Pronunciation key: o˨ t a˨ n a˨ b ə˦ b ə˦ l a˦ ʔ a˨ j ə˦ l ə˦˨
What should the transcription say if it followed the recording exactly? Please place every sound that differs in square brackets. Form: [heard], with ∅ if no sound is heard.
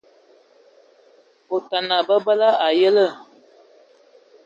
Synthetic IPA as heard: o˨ t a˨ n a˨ b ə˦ b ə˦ l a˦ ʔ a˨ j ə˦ l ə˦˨

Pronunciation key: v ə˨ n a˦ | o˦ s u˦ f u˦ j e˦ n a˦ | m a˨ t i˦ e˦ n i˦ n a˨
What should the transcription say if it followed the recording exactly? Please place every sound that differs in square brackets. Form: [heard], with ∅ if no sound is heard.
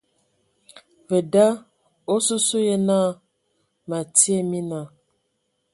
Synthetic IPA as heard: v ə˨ [d] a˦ | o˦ s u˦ [s] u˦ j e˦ n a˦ | m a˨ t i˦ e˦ [m] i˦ n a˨

